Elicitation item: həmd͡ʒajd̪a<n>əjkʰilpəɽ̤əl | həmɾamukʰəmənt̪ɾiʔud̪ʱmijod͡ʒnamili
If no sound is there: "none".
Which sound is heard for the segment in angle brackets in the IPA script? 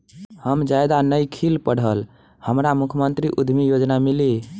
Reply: n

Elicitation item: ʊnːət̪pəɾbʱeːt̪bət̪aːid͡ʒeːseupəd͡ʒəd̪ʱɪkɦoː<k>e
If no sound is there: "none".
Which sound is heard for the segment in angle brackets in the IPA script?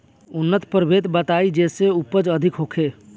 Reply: kʰ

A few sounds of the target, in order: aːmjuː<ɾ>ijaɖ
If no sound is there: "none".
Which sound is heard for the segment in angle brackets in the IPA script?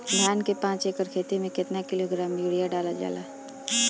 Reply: ɽ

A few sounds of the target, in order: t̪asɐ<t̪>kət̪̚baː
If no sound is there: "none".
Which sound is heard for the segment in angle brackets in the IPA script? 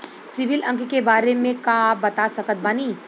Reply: none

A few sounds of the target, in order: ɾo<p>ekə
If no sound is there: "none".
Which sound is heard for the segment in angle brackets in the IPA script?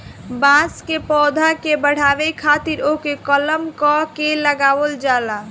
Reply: k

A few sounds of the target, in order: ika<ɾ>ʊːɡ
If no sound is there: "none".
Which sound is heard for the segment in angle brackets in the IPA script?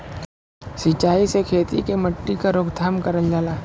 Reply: ɾ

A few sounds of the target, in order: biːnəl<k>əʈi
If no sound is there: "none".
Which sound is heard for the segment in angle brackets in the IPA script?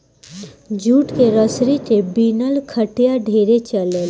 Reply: kʰ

